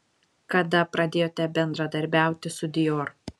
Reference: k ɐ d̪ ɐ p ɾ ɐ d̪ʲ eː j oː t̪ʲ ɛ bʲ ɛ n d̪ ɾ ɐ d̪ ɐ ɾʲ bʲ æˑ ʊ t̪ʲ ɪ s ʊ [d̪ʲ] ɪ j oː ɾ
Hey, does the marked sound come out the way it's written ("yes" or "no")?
yes